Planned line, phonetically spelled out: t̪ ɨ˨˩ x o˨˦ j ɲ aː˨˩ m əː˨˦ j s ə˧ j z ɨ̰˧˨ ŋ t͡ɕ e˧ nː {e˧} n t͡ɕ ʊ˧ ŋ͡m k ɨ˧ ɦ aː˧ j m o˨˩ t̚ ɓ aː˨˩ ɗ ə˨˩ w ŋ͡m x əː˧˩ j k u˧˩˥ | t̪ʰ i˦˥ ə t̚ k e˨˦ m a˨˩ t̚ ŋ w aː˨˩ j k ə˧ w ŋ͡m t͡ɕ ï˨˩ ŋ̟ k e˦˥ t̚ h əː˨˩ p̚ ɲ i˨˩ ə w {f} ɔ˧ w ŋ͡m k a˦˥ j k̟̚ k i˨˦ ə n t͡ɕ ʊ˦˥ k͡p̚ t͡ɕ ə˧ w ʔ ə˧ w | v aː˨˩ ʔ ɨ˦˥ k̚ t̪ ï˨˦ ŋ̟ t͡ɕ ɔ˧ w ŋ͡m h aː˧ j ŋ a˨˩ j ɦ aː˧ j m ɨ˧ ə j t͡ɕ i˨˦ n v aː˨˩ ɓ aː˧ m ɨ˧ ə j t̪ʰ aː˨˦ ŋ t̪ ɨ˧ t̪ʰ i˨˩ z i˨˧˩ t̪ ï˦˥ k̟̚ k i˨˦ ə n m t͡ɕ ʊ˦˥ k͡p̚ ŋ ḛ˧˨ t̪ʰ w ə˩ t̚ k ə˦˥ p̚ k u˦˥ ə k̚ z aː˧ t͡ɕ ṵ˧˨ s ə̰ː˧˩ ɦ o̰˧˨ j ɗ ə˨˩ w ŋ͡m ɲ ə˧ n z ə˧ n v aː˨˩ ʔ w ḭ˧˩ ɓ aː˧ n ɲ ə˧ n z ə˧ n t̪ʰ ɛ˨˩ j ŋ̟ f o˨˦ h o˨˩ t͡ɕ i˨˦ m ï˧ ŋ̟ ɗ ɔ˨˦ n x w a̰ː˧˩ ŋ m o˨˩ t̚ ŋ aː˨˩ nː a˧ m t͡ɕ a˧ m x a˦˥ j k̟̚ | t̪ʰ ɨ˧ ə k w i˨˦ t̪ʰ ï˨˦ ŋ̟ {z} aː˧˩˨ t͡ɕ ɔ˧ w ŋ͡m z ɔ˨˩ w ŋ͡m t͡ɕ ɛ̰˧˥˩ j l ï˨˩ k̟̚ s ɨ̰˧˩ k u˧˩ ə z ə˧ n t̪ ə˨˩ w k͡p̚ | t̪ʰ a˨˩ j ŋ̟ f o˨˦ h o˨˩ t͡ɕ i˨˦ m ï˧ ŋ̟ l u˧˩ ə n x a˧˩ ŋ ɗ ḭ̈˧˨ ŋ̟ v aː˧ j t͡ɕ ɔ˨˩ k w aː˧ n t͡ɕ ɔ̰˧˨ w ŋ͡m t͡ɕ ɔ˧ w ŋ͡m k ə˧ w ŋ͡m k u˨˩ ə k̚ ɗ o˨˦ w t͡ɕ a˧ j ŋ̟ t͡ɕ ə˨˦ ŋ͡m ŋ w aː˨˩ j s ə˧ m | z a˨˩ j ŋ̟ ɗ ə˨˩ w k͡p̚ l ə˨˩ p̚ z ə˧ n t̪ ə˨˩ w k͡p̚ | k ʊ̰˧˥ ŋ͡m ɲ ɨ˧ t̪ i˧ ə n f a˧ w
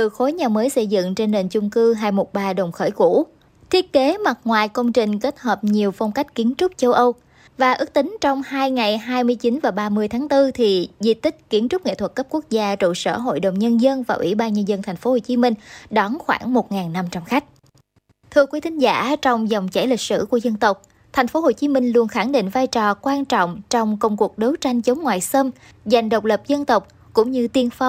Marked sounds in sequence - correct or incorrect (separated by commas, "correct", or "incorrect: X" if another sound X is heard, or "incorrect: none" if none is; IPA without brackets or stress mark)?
incorrect: e˨˩, correct, correct